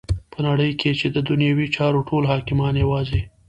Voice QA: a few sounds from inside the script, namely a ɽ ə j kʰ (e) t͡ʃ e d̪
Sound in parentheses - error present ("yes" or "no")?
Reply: no